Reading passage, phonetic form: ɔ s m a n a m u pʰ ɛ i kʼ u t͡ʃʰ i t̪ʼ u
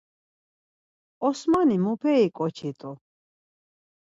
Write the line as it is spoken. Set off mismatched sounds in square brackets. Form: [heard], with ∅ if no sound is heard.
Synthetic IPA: ɔ s m a n [i] m u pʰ ɛ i kʼ [ɔ] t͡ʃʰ i t̪ʼ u